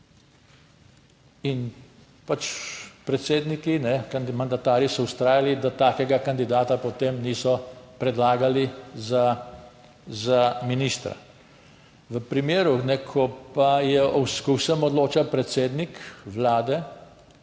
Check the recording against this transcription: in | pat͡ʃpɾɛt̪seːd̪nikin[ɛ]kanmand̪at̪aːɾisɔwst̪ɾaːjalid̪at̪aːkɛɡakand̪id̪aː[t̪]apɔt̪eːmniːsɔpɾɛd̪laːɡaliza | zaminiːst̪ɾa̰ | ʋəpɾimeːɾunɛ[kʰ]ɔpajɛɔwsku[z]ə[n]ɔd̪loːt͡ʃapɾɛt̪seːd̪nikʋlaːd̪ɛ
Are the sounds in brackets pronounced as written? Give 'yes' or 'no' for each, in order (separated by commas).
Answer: yes, yes, yes, no, no